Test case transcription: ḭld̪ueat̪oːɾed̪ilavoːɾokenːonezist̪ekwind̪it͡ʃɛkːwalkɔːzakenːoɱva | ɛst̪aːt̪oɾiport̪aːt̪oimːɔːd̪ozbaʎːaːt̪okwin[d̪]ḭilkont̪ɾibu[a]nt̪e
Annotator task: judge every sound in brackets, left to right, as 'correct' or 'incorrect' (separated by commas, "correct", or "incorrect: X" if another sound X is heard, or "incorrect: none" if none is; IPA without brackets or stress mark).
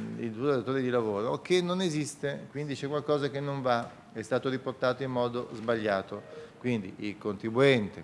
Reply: correct, incorrect: ɛ